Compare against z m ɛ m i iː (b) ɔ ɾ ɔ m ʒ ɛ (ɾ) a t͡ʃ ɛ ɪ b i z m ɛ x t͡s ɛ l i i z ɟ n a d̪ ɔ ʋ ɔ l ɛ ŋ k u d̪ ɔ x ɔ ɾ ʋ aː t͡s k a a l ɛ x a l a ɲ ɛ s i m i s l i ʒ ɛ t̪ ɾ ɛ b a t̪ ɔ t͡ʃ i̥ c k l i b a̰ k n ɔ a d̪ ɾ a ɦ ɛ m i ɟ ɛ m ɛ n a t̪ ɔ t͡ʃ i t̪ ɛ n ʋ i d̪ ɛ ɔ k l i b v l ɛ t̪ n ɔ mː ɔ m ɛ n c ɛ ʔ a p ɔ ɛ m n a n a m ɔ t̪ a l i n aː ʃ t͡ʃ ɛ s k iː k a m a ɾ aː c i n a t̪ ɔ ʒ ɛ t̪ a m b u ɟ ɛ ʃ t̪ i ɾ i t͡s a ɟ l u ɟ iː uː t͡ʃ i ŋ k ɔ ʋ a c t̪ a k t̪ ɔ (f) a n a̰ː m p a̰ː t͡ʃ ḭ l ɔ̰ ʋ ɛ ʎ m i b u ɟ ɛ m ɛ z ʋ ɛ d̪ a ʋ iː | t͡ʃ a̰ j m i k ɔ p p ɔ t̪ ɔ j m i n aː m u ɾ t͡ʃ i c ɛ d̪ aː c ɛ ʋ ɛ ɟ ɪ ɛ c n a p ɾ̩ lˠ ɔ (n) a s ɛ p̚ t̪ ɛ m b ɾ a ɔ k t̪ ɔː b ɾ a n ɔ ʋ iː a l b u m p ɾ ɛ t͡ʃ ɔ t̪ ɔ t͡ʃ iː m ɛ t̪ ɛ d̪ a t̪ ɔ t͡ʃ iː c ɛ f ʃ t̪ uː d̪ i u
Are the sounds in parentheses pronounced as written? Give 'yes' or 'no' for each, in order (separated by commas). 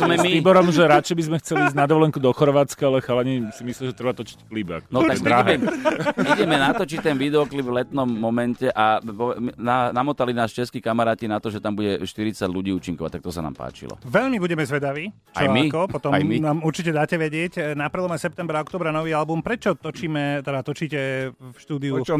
yes, yes, no, no